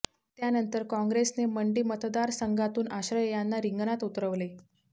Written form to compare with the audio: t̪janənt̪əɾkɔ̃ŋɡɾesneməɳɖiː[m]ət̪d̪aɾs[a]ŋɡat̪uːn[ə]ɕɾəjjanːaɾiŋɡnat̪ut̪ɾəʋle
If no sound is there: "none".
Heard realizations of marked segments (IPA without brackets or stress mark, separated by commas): m, ə, a